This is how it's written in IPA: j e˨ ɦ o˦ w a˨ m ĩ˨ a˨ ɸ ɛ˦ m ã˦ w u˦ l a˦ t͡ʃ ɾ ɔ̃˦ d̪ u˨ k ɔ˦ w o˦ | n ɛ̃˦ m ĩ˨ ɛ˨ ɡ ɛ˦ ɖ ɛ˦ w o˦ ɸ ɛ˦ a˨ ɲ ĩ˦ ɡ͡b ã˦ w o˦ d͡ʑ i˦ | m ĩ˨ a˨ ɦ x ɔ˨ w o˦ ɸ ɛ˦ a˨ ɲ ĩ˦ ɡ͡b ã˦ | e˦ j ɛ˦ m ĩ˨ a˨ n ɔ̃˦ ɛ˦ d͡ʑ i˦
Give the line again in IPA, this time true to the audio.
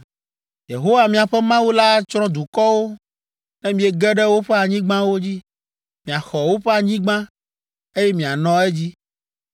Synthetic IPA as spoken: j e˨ ɦ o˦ w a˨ m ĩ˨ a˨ ɸ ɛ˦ m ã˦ w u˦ l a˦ t͡ʃ ɾ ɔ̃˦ d̪ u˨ k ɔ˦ w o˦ | n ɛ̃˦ m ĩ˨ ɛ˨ ɡ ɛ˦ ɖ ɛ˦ w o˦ ɸ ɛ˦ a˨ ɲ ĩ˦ ɡ͡b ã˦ w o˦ d͡ʑ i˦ | m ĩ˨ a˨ x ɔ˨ w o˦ ɸ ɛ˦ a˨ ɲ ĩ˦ ɡ͡b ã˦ | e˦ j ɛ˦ m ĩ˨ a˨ n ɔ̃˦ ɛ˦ d͡ʑ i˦

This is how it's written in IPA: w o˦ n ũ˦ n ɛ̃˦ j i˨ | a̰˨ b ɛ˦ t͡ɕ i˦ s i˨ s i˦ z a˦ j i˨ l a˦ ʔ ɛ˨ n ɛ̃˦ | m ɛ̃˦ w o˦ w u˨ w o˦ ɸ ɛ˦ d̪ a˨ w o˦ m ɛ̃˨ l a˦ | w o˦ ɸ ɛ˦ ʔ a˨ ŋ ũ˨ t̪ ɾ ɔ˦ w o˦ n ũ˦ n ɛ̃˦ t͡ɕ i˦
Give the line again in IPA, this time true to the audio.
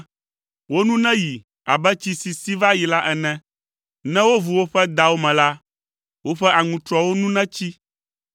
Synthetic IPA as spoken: w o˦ n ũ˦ n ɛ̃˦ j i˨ | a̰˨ b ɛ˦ t͡ɕ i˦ s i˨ s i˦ v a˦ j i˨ l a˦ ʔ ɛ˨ n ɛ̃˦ | n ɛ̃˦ w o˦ v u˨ w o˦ ɸ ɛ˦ d̪ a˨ w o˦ m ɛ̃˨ l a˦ | w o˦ ɸ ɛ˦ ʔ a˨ ŋ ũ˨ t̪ ɾ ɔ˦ w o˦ n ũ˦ n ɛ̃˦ t͡ɕ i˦

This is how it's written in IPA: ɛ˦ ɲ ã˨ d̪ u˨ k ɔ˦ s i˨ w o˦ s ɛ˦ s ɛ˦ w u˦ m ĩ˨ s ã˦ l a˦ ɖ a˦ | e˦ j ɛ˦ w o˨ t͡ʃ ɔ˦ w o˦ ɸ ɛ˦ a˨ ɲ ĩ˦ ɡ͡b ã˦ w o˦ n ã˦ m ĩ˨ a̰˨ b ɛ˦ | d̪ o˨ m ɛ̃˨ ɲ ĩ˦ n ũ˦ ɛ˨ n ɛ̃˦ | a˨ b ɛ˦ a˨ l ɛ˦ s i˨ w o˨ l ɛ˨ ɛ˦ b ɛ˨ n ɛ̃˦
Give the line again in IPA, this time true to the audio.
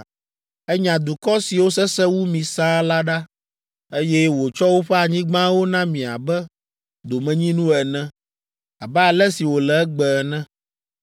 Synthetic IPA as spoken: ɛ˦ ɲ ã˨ d̪ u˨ k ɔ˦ s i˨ w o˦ s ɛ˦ s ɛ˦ w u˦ m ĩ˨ s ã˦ l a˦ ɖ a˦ | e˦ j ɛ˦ w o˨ t͡ʃ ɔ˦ w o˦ ɸ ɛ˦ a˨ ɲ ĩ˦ ɡ͡b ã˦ w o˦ n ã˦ m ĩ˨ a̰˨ b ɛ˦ | d̪ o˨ m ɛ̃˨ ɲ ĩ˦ n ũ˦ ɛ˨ n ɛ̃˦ | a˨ b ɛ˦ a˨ l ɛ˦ s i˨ w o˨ l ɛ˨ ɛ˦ ɡ͡b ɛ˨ n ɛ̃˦

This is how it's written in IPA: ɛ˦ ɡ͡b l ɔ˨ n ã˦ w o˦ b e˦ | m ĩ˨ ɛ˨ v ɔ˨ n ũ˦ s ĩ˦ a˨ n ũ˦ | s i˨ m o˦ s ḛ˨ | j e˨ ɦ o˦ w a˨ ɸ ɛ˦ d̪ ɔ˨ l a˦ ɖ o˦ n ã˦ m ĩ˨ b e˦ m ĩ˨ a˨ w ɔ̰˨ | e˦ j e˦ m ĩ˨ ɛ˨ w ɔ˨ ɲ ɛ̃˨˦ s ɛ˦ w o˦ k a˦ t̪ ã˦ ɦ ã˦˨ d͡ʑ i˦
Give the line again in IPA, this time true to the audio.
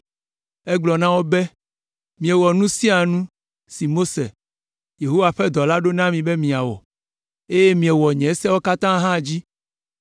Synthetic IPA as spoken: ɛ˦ ɡ͡b l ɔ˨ n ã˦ w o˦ b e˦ | m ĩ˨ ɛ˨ w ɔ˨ n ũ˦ s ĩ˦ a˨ n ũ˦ | s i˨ m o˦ s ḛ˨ | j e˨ ɦ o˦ w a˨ ɸ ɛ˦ d̪ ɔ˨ l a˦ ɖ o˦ n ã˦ m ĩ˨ b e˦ m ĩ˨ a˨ w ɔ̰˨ | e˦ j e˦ m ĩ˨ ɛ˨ w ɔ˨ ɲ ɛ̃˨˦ s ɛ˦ w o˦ k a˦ t̪ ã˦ ɦ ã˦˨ d͡ʑ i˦

